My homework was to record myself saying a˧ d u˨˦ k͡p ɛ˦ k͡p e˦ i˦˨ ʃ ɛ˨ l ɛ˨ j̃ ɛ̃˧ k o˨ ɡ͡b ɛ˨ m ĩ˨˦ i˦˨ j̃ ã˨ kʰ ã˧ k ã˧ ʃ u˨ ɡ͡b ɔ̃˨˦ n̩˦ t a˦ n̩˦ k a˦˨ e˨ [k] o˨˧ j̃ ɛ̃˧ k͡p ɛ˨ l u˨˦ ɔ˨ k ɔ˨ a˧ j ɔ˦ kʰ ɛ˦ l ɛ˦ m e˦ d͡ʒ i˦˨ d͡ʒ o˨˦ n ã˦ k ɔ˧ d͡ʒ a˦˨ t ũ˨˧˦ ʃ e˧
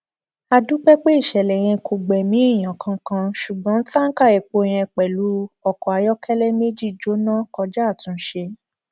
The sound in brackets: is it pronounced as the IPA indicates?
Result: no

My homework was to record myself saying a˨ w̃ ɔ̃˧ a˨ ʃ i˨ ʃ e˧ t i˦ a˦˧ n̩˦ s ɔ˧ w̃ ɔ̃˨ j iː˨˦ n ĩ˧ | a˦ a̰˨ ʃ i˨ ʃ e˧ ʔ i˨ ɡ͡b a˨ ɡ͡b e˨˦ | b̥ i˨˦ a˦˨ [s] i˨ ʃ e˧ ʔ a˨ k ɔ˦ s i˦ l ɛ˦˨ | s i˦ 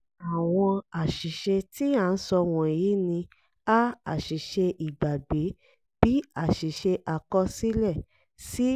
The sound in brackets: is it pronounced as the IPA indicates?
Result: no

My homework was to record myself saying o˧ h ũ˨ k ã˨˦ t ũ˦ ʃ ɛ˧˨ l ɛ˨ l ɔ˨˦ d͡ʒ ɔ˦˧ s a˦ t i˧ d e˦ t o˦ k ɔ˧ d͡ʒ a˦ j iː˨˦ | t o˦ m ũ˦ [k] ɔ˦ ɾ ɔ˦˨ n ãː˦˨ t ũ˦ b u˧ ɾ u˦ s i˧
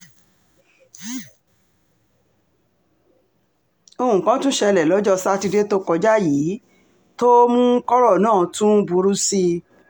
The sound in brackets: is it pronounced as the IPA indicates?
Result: yes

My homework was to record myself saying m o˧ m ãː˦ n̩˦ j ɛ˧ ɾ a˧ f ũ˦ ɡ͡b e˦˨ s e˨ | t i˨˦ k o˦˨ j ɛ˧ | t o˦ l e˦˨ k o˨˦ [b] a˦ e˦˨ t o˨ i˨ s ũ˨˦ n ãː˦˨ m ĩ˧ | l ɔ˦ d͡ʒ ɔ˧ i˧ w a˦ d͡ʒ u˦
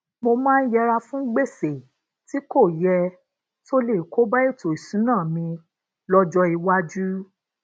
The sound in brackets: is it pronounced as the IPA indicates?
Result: yes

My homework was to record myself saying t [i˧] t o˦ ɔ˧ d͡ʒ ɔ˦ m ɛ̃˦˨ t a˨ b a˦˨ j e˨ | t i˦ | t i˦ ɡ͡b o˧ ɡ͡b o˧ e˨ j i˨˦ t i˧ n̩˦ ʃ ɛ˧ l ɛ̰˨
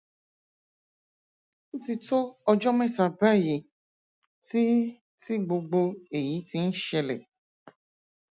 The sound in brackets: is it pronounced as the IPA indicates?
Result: yes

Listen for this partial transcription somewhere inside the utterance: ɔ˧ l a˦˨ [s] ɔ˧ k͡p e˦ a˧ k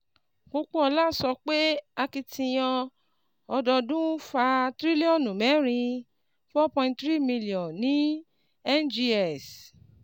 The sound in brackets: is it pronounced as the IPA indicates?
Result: yes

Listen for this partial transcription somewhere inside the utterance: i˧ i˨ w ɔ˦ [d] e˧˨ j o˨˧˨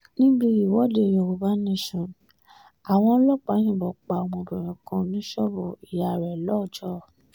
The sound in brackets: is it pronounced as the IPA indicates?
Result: yes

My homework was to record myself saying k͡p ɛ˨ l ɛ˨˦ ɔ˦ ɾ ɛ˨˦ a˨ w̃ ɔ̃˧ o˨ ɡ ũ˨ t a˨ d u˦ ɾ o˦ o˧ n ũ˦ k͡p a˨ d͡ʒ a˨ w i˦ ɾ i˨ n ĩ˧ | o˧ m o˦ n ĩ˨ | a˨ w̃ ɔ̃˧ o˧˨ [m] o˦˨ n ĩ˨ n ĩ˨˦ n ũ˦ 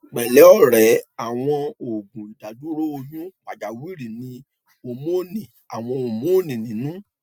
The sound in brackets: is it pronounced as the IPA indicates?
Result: yes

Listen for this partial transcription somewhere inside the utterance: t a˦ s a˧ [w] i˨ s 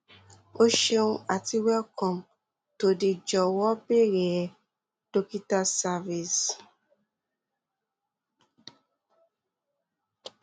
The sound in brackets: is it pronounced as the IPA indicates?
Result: no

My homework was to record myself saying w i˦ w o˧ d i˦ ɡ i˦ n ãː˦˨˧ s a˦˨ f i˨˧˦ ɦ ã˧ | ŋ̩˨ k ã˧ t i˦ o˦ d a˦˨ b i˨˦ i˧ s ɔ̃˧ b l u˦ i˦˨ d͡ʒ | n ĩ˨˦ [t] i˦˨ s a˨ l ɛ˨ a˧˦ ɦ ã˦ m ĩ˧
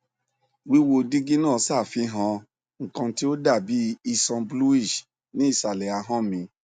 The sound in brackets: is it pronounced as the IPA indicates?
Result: no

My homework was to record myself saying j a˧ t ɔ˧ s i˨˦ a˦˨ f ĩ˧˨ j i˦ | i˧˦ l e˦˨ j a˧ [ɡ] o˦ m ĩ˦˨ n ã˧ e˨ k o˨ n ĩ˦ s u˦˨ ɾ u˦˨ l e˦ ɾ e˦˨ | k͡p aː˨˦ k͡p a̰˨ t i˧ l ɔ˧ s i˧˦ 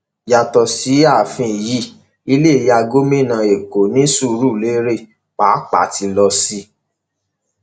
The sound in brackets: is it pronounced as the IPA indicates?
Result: yes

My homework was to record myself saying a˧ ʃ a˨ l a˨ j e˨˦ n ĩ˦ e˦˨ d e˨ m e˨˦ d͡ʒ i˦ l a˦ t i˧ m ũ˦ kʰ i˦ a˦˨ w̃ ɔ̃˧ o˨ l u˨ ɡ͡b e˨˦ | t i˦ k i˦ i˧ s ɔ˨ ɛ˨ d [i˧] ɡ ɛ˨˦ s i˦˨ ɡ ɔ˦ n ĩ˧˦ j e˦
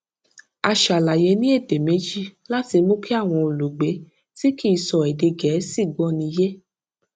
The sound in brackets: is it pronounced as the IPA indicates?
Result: no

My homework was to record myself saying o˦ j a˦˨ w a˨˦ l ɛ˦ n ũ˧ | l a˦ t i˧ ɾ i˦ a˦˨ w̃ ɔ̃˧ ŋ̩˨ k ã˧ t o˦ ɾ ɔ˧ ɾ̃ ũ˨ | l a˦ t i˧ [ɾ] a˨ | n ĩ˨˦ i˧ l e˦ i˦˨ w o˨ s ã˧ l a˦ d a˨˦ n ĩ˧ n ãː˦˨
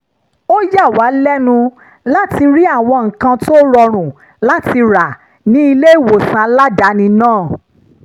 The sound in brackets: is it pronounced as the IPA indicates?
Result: yes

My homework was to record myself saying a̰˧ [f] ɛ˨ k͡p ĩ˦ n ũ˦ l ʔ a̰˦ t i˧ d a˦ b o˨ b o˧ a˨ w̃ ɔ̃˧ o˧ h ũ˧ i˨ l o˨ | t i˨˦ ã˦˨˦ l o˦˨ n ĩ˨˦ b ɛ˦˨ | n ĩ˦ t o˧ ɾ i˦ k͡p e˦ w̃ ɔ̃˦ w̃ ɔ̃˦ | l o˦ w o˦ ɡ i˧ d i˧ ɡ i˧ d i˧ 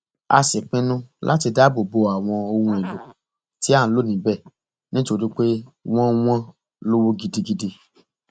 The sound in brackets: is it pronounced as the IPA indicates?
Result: no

